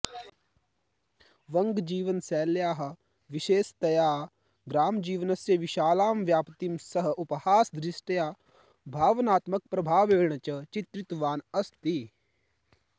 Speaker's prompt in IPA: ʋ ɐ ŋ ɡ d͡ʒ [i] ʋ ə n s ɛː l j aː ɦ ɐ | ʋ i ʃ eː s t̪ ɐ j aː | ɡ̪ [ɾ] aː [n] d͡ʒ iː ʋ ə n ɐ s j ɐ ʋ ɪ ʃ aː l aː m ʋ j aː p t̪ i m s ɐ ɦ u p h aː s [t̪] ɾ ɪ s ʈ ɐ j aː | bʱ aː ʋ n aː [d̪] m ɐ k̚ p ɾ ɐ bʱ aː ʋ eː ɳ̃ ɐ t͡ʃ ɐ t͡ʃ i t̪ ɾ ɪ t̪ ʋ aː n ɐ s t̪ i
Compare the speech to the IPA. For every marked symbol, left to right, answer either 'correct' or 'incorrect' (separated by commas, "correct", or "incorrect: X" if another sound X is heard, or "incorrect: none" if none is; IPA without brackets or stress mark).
incorrect: iː, correct, incorrect: m, incorrect: d̪, incorrect: t̪